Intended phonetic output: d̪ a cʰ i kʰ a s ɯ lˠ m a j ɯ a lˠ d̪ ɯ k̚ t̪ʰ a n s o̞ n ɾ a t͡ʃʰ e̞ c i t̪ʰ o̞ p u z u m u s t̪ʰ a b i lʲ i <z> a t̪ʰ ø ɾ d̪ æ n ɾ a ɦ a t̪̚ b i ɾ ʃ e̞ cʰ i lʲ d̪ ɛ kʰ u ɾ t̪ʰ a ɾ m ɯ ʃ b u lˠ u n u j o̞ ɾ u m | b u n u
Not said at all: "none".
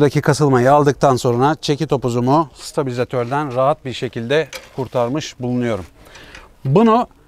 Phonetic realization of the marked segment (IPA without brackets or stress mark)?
z